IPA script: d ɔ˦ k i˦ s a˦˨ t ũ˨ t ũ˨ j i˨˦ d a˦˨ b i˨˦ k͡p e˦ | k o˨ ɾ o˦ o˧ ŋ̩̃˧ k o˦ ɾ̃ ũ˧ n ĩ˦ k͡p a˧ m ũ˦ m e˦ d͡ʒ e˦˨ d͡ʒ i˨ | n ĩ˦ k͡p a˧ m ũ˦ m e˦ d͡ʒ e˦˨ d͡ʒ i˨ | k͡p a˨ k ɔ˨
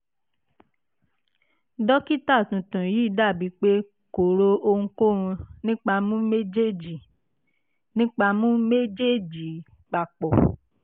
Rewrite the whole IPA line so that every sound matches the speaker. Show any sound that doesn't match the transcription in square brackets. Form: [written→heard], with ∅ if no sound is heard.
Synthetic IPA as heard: d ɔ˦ k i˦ [s→t] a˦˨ t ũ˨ t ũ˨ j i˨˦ d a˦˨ b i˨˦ k͡p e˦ | k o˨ ɾ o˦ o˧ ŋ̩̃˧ k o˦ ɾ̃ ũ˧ n ĩ˦ k͡p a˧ m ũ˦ m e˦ d͡ʒ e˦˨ d͡ʒ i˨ | n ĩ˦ k͡p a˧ m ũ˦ m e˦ d͡ʒ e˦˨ d͡ʒ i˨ | k͡p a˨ [k→k͡p] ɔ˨